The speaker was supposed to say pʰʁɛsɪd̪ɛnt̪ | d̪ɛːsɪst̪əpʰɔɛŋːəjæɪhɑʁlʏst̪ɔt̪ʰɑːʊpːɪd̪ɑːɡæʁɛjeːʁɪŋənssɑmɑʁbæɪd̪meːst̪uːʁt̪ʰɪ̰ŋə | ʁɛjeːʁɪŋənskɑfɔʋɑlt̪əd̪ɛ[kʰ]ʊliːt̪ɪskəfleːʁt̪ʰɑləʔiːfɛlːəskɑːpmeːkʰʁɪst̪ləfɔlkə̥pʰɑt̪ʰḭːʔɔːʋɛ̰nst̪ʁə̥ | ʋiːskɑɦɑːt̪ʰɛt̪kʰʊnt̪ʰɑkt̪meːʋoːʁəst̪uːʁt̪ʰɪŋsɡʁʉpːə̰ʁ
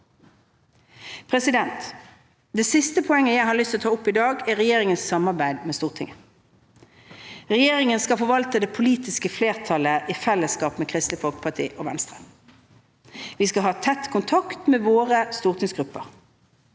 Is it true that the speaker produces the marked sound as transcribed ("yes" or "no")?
no